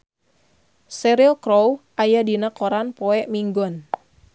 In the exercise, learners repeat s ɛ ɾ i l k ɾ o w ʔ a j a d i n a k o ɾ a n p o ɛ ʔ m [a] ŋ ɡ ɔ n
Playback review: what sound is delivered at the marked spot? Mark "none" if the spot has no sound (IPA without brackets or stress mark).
i